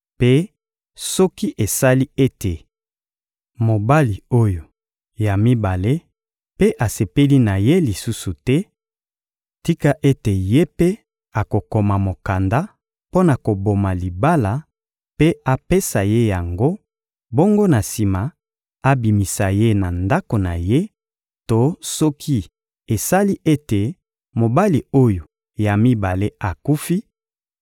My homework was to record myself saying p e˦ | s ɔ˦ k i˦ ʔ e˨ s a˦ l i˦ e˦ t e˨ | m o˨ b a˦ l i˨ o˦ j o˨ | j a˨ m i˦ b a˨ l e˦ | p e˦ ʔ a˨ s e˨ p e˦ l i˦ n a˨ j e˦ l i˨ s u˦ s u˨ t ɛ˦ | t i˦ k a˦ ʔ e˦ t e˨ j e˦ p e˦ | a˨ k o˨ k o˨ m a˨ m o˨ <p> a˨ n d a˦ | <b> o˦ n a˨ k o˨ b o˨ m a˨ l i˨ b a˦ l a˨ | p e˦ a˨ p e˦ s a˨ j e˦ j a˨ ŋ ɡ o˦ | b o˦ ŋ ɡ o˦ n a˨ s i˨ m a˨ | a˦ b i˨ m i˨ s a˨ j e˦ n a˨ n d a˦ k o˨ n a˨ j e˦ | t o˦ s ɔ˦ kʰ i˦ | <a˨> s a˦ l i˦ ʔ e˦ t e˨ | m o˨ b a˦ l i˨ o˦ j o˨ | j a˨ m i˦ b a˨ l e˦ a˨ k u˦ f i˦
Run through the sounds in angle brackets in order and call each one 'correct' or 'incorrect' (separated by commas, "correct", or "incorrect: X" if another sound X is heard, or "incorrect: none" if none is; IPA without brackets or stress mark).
incorrect: k, incorrect: p, incorrect: e˨